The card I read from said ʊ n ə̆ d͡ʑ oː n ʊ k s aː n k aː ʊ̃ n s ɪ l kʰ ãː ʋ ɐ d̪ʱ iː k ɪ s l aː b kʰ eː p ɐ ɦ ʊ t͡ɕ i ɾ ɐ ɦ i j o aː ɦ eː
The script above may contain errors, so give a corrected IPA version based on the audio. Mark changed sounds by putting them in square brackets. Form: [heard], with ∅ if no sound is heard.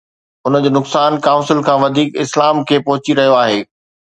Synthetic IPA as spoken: ʊ n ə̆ d͡ʑ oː n ʊ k s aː n k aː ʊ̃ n s ɪ l kʰ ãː ʋ ɐ d̪ʱ iː k ɪ s l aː [m] kʰ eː p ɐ ɦ ʊ t͡ɕ i ɾ ɐ ɦ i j o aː ɦ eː

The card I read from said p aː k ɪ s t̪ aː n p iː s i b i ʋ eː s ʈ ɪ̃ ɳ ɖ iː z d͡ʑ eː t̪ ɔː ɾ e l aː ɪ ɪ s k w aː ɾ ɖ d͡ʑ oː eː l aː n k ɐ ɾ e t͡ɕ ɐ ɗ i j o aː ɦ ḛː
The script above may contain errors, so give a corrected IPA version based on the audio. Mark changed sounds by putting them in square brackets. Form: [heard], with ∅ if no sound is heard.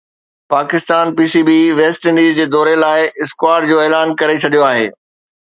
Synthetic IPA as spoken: p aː k ɪ s t̪ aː n p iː s i b i ʋ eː s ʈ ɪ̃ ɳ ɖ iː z d͡ʑ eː [d̪] ɔː ɾ e l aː ɪ ɪ s k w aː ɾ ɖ d͡ʑ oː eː l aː n k ɐ ɾ e [t͡ɕʰ] ɐ ɗ i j o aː ɦ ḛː

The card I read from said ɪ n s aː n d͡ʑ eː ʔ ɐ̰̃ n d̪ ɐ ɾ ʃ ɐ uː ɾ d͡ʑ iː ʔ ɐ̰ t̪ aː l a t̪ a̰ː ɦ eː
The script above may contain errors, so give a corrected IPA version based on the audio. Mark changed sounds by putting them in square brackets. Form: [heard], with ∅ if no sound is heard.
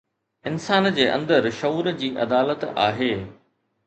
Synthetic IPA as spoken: ɪ n s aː n d͡ʑ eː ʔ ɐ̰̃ n d̪ [ə] ɾ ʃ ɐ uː ɾ d͡ʑ iː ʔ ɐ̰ [d̪] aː l [ə] t̪ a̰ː ɦ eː

